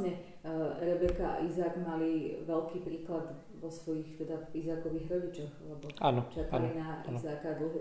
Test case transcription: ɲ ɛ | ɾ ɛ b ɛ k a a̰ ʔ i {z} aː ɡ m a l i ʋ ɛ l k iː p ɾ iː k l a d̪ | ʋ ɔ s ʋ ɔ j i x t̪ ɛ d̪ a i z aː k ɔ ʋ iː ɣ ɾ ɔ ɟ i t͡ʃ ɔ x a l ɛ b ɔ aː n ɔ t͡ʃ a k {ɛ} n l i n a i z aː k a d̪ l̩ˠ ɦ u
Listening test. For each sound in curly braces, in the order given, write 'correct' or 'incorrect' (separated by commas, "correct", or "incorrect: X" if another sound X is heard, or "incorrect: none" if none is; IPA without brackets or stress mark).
correct, incorrect: a